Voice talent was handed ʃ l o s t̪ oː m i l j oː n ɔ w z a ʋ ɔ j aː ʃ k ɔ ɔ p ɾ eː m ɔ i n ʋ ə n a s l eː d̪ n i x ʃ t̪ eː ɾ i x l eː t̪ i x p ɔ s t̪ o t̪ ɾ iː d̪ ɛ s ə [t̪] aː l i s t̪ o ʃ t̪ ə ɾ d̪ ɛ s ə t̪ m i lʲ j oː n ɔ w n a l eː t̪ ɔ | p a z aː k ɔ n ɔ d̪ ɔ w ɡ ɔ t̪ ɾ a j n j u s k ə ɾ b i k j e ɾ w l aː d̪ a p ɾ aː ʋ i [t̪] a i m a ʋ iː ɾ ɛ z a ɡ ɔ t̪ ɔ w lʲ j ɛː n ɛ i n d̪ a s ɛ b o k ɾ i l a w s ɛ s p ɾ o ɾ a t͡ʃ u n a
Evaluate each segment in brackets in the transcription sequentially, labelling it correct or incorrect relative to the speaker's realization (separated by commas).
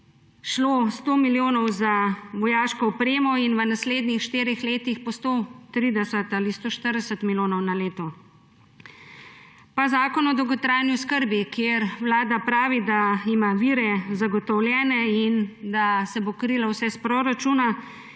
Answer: correct, incorrect